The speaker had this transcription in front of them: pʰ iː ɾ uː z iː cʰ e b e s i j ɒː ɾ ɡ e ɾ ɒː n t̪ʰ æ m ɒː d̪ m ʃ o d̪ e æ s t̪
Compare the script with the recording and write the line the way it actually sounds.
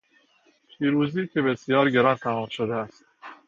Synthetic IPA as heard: pʰ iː ɾ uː z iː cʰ e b e s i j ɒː ɾ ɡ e ɾ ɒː n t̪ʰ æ m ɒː m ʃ o d̪ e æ s t̪